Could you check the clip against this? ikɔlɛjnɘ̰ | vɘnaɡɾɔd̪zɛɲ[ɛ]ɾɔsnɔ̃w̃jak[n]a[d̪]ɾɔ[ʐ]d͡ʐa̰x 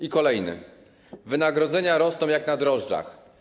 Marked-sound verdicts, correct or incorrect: incorrect, correct, correct, correct

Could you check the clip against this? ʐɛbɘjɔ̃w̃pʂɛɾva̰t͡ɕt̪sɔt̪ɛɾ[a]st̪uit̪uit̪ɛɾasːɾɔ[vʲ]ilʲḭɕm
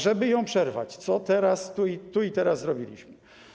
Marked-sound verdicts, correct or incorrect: correct, incorrect

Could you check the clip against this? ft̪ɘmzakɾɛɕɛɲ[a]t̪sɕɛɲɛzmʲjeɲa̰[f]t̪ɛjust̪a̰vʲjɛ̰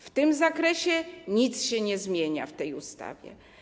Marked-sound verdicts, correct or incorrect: incorrect, correct

